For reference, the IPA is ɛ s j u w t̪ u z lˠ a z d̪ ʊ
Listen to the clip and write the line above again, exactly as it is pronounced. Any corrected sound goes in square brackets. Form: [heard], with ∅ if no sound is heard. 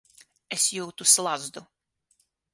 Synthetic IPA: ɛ s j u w t̪ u [s] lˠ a z d̪ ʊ